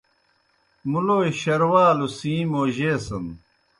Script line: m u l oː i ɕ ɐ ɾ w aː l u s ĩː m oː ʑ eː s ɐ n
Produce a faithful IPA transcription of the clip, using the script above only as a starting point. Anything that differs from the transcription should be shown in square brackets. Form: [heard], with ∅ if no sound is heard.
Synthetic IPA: m u l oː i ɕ ɐ ɾ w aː l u s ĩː m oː ʑ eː s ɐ n